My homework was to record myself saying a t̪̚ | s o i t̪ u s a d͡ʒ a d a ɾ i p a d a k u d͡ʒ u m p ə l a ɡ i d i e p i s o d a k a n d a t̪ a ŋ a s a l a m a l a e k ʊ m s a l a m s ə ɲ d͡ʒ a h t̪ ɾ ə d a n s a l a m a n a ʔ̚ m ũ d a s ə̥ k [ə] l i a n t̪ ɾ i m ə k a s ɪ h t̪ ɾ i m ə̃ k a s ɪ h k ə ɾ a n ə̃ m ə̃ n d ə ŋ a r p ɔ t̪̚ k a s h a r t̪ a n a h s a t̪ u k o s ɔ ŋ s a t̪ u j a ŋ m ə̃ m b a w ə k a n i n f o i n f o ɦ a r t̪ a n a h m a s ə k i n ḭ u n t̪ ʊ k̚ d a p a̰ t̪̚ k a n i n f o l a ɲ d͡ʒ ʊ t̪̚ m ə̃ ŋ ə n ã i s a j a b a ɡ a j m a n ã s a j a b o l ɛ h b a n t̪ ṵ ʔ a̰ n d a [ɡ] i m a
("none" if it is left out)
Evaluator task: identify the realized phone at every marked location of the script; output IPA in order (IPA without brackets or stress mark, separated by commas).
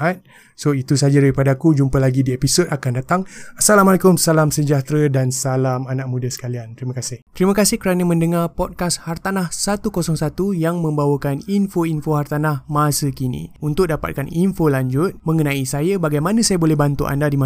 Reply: a, d